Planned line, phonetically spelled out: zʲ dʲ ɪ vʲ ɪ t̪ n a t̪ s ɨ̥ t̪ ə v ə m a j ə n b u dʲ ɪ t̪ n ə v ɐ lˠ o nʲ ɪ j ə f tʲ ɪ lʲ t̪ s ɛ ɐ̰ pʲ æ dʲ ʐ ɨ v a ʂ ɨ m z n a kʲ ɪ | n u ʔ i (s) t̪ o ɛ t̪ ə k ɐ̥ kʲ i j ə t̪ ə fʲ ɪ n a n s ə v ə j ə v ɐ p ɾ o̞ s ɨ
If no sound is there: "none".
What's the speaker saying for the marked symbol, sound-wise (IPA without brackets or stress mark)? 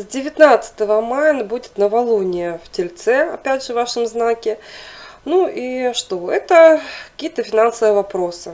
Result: ʂ